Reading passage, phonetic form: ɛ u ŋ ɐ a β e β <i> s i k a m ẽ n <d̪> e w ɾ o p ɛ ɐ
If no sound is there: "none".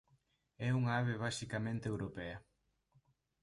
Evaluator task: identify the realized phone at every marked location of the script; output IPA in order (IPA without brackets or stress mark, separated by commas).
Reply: a, t̪